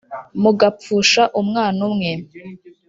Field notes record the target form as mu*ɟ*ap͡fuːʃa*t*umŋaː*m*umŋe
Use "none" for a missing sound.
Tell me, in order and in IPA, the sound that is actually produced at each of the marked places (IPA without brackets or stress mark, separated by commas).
ɡ, ʔ, n